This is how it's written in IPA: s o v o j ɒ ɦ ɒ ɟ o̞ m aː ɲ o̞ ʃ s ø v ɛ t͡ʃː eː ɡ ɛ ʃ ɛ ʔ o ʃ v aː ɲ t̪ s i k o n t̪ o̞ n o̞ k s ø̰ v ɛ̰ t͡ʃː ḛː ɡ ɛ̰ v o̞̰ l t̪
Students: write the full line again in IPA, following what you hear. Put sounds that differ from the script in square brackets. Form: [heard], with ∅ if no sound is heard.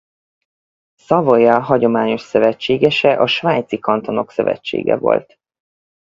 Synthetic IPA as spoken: s [ɒ] v o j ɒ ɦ ɒ ɟ o̞ m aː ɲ o̞ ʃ s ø v ɛ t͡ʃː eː ɡ ɛ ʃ ɛ ʔ [ɒ] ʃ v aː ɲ t̪ s i k [ɒ] n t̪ o̞ n o̞ k s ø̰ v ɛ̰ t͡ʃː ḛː ɡ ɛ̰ v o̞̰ l t̪